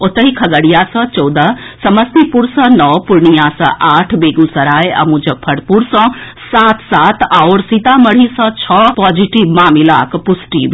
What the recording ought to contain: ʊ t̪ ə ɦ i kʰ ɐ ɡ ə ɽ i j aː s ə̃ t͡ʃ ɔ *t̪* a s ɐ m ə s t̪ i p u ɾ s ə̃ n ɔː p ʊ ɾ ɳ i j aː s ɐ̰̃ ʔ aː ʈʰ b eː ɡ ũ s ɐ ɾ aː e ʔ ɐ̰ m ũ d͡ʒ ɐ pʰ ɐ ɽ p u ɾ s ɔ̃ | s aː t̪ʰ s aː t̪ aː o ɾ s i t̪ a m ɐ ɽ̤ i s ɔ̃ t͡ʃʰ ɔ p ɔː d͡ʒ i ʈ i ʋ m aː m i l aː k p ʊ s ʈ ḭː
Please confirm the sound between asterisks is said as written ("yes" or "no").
no